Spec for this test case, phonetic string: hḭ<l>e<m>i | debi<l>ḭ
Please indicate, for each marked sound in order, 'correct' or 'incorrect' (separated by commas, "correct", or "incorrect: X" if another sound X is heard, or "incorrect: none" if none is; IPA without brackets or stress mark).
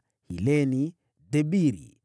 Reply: correct, incorrect: n, incorrect: ɾ